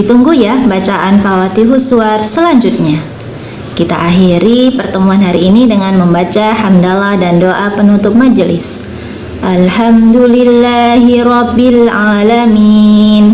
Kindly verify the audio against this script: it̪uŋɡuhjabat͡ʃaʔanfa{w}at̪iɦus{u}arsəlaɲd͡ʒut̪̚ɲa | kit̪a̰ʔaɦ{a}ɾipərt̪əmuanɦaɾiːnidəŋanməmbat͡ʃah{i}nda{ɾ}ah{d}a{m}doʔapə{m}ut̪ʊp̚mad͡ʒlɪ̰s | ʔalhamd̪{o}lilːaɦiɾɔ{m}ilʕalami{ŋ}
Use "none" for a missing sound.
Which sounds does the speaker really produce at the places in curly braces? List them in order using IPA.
w, u, i, a, l, d, n, n, u, b, n

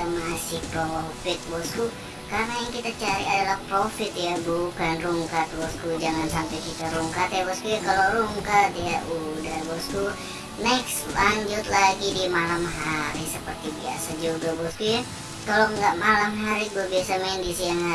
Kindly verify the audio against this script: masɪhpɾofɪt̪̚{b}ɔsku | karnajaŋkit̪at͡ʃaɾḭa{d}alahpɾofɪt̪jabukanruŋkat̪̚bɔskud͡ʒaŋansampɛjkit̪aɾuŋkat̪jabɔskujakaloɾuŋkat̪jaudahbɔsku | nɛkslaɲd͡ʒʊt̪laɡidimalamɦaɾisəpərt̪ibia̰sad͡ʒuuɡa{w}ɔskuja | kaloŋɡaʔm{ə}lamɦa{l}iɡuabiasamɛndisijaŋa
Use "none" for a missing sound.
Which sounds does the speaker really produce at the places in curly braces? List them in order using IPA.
b, d, b, a, ɾ

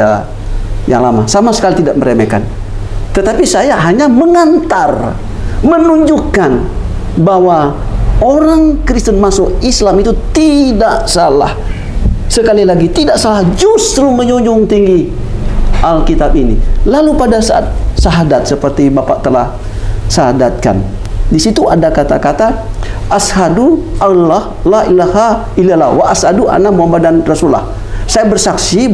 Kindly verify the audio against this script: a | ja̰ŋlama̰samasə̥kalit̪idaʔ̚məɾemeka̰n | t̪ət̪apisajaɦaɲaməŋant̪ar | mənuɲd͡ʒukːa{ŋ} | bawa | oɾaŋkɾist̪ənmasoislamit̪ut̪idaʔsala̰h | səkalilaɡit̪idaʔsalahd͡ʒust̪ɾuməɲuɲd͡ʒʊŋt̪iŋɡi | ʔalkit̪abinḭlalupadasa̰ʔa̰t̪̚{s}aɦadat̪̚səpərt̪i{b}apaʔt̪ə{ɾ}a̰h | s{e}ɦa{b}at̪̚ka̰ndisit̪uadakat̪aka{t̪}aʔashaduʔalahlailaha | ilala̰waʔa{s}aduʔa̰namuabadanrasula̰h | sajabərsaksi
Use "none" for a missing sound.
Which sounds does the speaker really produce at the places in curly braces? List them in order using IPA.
n, s, b, l, a, d, t̪, s

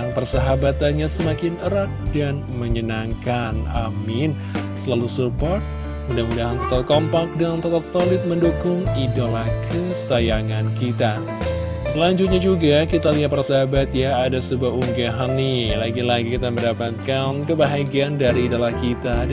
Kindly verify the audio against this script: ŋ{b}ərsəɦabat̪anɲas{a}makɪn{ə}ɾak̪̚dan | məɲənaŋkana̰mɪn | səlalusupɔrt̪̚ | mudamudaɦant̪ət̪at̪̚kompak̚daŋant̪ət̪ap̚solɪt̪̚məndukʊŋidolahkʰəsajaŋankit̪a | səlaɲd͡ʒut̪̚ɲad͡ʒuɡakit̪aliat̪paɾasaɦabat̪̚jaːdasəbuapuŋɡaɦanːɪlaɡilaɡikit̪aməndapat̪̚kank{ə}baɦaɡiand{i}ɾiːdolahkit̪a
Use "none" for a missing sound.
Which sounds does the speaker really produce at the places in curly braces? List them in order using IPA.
p, ə, ə, ə, a

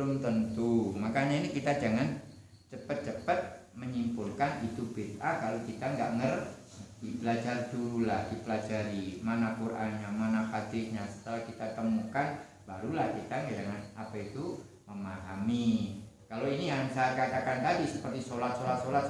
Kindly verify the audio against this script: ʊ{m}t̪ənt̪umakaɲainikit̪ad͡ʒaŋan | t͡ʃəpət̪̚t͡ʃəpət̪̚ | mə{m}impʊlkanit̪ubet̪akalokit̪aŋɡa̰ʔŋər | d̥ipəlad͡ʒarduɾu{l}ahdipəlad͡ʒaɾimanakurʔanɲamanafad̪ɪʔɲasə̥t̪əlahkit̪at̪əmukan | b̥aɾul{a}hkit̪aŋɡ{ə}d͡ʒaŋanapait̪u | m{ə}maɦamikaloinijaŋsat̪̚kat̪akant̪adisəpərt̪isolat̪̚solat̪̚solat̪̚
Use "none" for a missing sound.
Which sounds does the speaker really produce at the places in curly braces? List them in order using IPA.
m, ɲ, l, a, a, ə

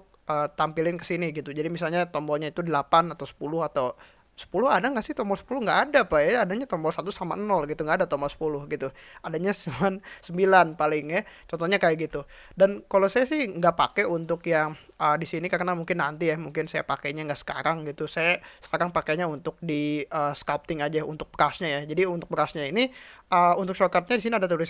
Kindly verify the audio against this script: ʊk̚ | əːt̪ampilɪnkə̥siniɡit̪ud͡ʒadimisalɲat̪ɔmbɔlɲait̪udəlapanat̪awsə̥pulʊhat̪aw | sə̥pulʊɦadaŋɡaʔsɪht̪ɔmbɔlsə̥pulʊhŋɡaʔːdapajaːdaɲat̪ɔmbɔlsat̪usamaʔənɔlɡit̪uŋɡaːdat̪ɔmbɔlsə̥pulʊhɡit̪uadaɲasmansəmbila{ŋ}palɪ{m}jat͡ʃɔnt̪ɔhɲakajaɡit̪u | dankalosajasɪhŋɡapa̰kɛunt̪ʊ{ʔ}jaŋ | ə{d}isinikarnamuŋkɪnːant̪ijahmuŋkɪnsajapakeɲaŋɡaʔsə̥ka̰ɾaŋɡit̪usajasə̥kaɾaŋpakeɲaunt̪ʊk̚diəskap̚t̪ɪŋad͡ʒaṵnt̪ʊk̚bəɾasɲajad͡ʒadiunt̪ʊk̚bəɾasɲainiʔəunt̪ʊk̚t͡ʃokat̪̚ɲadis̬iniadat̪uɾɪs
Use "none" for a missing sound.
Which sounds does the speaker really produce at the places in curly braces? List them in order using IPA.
n, ŋ, k, d

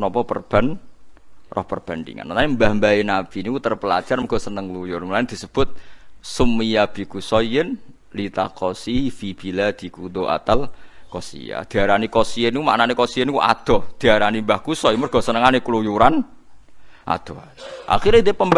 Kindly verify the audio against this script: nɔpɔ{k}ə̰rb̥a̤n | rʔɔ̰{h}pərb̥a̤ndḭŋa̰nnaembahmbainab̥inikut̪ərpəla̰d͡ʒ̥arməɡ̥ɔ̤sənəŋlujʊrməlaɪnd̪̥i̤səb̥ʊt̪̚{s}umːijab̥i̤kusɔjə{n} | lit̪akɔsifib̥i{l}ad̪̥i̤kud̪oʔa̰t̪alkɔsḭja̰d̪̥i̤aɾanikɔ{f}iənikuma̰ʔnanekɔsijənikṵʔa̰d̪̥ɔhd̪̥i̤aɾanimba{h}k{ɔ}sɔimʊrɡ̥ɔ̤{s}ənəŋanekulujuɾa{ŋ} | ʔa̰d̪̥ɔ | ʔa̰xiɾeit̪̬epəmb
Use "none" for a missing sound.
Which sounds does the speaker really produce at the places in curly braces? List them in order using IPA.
p, h, s, n, l, s, h, u, s, n

